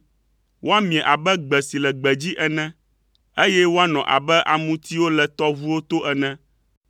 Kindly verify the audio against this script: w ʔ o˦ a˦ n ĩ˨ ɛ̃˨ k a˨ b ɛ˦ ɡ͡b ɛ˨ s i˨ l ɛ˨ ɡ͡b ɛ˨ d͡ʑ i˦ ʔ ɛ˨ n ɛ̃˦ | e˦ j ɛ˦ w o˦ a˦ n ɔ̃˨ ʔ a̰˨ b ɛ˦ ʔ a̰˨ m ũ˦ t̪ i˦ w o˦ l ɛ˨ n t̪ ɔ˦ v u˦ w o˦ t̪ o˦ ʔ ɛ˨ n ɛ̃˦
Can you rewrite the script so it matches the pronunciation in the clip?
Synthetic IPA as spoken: w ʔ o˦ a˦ m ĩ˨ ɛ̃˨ ʔ a˨ b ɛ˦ ɡ͡b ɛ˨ s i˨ l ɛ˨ ɡ͡b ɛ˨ d͡ʑ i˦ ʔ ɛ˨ n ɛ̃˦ | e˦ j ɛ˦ w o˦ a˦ n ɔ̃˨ ʔ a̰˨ b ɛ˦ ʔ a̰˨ m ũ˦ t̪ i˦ w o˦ l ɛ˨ t̪ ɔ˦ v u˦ w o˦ t̪ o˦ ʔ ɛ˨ n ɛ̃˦